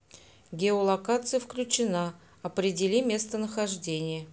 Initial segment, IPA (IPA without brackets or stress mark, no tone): ɡʲ